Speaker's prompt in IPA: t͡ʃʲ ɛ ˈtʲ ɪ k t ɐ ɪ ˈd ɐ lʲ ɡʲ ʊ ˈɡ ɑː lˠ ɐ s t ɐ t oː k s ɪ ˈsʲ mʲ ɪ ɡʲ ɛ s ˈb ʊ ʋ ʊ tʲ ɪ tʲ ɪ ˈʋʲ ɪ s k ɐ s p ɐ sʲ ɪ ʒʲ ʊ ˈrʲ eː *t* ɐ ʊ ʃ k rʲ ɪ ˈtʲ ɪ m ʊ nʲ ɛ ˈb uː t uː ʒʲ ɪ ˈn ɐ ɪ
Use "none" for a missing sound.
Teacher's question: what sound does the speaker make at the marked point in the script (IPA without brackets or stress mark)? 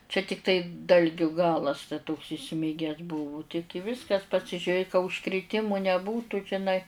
k